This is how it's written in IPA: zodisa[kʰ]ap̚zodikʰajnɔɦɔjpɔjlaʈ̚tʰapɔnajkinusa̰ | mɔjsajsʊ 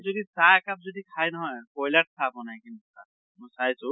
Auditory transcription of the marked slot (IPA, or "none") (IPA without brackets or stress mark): k